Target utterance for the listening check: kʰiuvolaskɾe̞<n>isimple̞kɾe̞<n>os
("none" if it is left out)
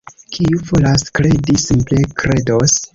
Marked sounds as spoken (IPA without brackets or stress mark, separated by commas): d, d